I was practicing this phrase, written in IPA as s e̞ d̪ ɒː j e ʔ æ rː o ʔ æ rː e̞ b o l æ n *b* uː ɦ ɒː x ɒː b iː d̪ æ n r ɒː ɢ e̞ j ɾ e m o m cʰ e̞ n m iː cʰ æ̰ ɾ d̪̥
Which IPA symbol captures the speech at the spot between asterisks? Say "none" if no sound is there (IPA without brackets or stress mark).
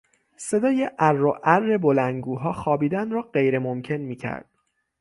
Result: ɡ